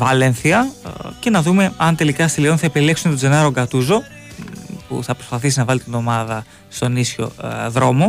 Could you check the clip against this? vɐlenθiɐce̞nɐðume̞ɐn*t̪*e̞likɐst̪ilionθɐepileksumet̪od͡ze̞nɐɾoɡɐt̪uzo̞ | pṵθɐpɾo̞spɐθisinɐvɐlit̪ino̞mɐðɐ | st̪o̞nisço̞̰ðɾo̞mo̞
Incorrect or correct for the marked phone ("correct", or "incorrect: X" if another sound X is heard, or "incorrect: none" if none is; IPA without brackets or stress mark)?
correct